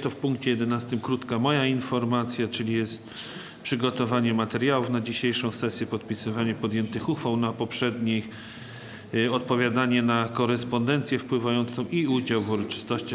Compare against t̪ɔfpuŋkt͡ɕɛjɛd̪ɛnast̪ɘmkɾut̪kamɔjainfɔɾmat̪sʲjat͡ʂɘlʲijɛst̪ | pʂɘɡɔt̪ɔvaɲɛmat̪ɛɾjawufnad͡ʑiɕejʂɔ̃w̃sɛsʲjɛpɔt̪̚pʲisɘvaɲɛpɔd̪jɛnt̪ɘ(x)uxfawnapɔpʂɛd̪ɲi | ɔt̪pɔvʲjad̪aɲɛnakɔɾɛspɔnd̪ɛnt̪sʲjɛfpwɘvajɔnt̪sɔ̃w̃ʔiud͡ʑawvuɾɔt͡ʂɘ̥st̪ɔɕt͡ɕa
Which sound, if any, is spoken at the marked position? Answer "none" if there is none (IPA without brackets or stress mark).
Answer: x